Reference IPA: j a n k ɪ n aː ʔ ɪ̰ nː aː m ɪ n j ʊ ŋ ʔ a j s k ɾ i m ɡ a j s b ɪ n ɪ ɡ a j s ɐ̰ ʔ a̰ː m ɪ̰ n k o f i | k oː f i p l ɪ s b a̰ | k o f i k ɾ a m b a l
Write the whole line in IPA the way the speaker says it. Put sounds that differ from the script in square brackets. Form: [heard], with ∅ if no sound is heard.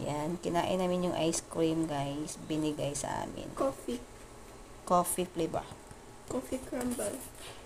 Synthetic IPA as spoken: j a n k ɪ n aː ʔ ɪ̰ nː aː m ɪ n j ʊ ŋ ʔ a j s k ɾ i m ɡ a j s b ɪ n ɪ ɡ a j s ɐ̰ ʔ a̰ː m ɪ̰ n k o f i | k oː f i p l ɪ [∅] b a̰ | k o f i k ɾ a m b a l

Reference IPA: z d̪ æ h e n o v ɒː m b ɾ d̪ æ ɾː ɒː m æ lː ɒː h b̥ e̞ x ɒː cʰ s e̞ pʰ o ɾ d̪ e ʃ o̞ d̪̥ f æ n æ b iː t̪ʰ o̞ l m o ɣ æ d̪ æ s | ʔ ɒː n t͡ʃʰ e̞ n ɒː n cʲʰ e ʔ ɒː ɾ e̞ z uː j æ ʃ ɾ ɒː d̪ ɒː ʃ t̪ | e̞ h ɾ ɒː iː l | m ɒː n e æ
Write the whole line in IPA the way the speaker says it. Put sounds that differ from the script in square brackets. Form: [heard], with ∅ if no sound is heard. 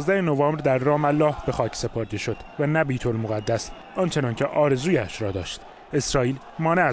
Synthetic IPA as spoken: z d̪ æ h e n o v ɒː m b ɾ d̪ æ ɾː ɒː m æ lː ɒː h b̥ e̞ x ɒː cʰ s e̞ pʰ o ɾ d̪ e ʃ o̞ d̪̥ [v] æ n æ b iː t̪ʰ o̞ l m o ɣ æ [d̪ː] æ s | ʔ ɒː n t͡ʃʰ e̞ n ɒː n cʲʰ e ʔ ɒː ɾ e̞ z uː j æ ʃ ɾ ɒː d̪ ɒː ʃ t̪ | e̞ [s] ɾ ɒː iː l | m ɒː n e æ

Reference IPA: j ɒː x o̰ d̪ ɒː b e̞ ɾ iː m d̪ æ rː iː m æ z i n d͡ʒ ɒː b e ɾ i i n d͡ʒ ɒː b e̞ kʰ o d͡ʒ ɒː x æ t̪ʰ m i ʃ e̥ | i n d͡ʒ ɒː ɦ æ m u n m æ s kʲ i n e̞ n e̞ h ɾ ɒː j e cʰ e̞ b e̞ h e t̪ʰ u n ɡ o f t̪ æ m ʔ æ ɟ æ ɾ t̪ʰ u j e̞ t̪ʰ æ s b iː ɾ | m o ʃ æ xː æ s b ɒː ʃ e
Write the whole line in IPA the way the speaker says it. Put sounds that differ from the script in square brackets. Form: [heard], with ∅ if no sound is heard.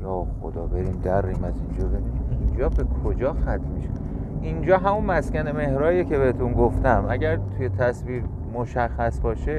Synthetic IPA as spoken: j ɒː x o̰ d̪ ɒː b e̞ ɾ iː m d̪ æ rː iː m æ z i n d͡ʒ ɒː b e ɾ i i n d͡ʒ ɒː b e̞ kʰ o d͡ʒ ɒː x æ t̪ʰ m i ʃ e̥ | i n d͡ʒ ɒː ɦ æ m u n m æ s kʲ [æ] n e̞ [m] e̞ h ɾ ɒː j e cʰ e̞ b e̞ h e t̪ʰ u n ɡ o f t̪ æ m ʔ æ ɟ æ ɾ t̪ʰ u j e̞ t̪ʰ æ s [v] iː ɾ | m o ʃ æ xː æ s b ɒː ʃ e

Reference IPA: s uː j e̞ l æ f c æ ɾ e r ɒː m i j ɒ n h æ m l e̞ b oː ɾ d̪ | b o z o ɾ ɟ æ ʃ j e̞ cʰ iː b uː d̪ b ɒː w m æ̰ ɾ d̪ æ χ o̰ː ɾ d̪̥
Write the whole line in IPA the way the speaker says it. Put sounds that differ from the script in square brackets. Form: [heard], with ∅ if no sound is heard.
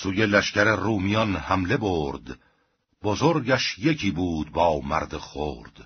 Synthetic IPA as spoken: s uː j e̞ l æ [ʃ] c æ ɾ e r [uː] m i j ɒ n h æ m l e̞ b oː ɾ d̪ | b o z o ɾ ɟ æ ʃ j e̞ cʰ iː b uː d̪ b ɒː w m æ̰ ɾ d̪ [e] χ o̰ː ɾ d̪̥

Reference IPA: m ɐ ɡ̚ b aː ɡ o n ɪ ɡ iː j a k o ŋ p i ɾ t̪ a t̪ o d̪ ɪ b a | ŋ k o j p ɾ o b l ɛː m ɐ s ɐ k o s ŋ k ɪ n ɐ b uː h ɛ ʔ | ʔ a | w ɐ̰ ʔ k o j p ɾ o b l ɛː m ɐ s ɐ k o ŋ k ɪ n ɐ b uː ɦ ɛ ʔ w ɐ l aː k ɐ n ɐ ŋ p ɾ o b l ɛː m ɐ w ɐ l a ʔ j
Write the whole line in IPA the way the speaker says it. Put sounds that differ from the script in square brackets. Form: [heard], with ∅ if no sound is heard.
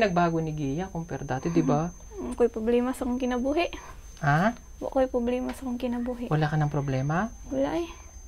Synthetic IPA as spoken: [n] ɐ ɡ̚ b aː ɡ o n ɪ ɡ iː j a k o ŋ p [ɛ] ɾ [d̪] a t̪ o d̪ ɪ b a | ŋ k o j p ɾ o b l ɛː m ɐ s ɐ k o [∅] ŋ k ɪ n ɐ b uː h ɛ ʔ | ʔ a | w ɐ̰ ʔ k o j p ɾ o b l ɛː m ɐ s ɐ k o ŋ k ɪ n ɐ b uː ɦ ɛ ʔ w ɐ l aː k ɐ n ɐ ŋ p ɾ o b l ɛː m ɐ w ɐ l a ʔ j

